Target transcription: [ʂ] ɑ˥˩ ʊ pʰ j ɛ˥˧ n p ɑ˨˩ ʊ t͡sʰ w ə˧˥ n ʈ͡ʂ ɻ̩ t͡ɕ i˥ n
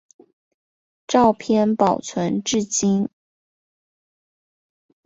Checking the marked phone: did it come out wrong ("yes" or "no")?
yes